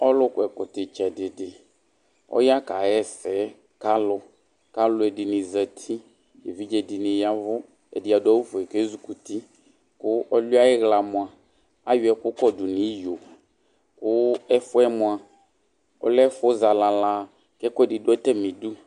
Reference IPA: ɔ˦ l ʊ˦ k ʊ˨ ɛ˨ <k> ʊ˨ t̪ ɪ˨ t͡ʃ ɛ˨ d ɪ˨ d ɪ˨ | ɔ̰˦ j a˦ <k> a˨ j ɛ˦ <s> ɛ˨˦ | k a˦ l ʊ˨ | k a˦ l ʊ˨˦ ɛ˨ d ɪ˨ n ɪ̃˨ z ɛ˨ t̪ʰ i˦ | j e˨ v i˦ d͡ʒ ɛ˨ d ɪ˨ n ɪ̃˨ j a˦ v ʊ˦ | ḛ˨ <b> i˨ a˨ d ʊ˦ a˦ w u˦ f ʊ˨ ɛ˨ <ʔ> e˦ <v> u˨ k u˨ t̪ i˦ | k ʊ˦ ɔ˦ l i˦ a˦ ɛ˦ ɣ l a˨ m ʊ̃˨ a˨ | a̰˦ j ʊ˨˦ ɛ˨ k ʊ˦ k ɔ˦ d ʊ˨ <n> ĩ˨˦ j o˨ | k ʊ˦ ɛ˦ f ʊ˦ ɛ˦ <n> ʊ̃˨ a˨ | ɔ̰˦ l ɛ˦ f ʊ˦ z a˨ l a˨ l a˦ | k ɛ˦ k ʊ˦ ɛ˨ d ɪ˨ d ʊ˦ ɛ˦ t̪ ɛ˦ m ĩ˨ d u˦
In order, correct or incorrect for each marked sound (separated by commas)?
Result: correct, correct, correct, incorrect, incorrect, incorrect, correct, incorrect